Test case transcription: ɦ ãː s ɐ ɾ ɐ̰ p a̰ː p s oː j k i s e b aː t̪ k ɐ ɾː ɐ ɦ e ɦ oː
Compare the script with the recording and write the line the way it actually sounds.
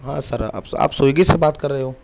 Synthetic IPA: ɦ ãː s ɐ ɾ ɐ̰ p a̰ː p s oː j ɡ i s e b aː t̪ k ɐ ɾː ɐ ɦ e ɦ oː